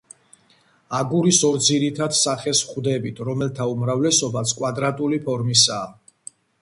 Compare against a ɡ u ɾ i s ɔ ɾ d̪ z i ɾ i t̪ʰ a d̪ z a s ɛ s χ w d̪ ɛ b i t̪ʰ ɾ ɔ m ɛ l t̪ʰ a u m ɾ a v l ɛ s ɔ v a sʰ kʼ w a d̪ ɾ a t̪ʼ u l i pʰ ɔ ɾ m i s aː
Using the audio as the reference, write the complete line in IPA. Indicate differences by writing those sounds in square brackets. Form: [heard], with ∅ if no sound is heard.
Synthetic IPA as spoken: a ɡ u ɾ i s ɔ ɾ d̪ z i ɾ i t̪ʰ a d̪ [s] a [χ] ɛ s χ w d̪ ɛ b i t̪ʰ ɾ ɔ m ɛ l t̪ʰ a u m ɾ a v l ɛ s ɔ [b] a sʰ kʼ w a d̪ ɾ a t̪ʼ u l i pʰ ɔ ɾ m i s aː